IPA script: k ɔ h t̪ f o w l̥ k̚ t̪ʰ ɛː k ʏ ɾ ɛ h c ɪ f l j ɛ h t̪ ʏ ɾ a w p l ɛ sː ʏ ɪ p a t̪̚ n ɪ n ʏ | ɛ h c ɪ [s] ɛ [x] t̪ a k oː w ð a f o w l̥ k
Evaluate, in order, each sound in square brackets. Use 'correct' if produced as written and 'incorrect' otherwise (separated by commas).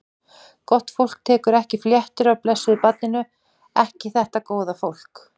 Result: incorrect, incorrect